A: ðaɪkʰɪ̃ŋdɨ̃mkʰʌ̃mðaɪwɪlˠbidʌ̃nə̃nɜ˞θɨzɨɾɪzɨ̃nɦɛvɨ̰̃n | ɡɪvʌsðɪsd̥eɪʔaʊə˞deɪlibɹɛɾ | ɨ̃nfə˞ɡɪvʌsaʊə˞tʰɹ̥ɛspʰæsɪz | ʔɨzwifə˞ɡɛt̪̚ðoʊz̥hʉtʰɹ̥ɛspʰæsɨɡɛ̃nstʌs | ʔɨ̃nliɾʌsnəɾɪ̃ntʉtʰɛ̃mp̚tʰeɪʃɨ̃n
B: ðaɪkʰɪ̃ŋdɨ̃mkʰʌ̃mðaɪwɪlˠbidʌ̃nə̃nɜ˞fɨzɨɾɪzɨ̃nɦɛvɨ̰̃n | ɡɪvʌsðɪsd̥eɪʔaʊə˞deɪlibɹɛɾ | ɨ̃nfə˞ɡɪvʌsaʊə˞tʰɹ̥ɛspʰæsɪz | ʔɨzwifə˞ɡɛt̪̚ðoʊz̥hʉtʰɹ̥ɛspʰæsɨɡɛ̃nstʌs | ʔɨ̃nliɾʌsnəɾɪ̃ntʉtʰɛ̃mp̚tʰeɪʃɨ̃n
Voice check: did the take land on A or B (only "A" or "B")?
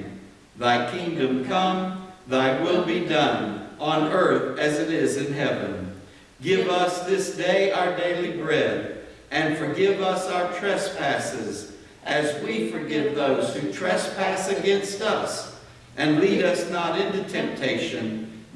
A